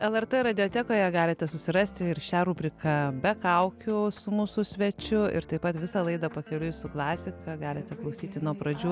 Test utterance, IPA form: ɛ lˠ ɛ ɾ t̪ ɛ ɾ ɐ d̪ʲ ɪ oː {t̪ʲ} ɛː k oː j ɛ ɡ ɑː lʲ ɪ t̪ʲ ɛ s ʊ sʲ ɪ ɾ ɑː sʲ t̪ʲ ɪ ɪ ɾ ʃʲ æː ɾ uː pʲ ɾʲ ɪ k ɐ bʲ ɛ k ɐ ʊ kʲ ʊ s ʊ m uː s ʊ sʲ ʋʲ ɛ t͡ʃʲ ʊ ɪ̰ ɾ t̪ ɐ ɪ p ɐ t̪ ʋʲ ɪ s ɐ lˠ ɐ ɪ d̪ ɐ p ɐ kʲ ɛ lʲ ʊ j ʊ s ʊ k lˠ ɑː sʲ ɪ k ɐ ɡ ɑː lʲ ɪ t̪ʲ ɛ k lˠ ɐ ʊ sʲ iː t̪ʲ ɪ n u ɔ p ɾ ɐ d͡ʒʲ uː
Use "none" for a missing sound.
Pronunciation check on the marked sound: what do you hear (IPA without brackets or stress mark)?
t̪ʲ